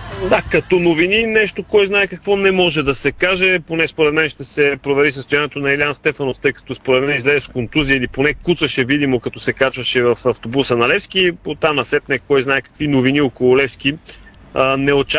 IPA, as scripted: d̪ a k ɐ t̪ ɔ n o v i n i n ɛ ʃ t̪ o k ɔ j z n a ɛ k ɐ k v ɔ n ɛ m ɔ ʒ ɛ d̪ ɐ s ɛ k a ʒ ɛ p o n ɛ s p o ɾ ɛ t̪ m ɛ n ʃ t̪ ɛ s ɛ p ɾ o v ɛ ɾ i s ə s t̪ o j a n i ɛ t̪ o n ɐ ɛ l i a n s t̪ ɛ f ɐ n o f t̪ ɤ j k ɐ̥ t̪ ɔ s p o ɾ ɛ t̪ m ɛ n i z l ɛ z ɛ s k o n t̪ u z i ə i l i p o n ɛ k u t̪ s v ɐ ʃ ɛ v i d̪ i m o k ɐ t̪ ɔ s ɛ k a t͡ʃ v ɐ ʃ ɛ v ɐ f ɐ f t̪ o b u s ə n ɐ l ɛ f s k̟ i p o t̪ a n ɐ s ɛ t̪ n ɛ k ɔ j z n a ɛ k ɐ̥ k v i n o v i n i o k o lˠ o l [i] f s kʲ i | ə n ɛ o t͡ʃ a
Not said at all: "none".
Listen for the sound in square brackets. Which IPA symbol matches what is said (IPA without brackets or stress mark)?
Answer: ɛ